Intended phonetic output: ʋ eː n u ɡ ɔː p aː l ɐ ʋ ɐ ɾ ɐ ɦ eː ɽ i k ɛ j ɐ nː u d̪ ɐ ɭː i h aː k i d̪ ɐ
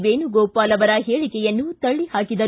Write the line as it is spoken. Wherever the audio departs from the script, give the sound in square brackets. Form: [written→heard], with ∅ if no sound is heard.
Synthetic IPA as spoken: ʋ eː n u ɡ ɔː p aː l ɐ ʋ ɐ ɾ ɐ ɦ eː [ɽ→ɭ] i k ɛ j ɐ nː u [d̪→t̪] ɐ ɭː i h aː k i d̪ ɐ